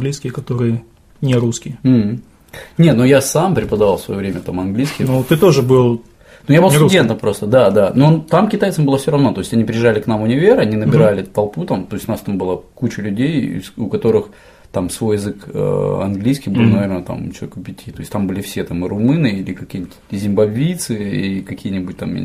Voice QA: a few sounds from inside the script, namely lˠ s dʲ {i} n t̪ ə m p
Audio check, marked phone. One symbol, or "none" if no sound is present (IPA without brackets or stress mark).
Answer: e